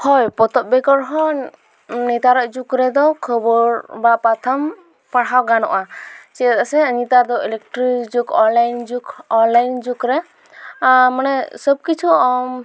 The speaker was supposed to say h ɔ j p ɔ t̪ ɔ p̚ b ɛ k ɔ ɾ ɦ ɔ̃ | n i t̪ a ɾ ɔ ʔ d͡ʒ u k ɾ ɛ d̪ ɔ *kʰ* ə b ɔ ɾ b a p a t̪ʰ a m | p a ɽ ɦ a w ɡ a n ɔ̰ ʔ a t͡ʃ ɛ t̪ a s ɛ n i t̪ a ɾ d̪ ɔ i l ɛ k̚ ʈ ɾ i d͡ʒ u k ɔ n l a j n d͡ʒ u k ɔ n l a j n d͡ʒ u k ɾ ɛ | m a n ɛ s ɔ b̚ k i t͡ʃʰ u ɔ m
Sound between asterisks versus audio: correct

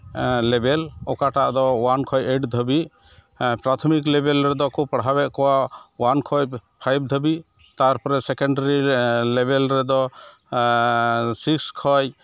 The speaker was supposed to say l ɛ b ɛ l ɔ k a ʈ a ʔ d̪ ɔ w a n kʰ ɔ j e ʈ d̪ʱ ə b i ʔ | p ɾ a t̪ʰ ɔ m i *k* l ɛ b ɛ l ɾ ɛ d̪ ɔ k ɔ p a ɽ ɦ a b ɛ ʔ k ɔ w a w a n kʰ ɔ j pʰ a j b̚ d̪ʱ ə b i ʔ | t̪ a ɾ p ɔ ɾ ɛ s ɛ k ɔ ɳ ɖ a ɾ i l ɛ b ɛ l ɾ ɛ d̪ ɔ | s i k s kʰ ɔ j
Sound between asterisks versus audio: correct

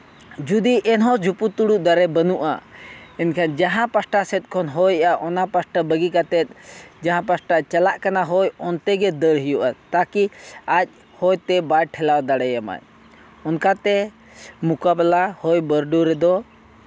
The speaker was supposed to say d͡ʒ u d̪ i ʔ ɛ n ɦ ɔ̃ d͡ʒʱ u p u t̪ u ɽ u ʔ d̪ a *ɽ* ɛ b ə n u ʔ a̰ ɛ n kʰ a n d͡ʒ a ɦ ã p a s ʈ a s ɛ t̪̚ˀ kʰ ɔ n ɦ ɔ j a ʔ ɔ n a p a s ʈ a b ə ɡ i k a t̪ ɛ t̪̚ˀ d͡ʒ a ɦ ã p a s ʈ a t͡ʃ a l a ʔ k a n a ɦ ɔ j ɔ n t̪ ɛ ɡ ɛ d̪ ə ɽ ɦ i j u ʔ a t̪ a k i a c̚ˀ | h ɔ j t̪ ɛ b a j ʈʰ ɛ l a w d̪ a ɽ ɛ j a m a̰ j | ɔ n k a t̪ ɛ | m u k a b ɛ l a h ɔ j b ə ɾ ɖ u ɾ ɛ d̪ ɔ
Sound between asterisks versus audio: incorrect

